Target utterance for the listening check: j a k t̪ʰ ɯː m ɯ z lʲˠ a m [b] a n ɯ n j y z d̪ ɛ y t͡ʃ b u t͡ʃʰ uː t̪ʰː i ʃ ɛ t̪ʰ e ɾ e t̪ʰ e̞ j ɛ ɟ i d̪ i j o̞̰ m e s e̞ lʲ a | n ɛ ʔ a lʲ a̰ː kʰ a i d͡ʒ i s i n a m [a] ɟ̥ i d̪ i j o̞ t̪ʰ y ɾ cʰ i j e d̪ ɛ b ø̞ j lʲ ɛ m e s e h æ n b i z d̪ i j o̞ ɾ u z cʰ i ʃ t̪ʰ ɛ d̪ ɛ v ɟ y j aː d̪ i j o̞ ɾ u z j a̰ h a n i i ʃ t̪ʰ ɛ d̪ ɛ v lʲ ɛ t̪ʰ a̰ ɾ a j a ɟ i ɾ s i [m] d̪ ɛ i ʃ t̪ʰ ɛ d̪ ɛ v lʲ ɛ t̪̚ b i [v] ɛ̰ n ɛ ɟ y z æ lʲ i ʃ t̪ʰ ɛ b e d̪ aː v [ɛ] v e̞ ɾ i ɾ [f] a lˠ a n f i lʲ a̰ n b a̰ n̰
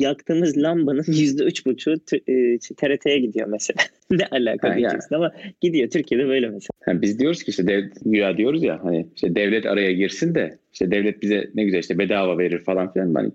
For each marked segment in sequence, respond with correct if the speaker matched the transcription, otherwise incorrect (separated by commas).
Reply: correct, correct, incorrect, incorrect, incorrect, correct